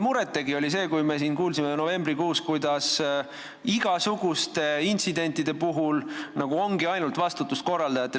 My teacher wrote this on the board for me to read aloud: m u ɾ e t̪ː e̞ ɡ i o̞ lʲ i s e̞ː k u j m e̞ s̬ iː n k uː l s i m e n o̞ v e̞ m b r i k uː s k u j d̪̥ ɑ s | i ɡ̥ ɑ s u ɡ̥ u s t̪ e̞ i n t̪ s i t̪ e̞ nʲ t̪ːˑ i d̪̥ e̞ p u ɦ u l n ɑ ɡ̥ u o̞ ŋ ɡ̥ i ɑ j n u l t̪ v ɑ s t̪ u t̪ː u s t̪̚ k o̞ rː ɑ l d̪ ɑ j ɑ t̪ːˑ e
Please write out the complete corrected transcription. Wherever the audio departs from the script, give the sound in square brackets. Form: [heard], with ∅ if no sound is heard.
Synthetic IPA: m u ɾ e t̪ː e̞ ɡ i o̞ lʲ i s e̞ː k u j m e̞ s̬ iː n k uː l s i m e n o̞ v e̞ m b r i k uː s k u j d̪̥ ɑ s | i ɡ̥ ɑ s u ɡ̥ u s t̪ e̞ i n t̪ s i [d̪] e̞ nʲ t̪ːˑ i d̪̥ e̞ p u ɦ u l n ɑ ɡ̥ u o̞ ŋ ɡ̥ i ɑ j n u l t̪ v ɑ s t̪ u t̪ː u s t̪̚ k o̞ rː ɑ l d̪ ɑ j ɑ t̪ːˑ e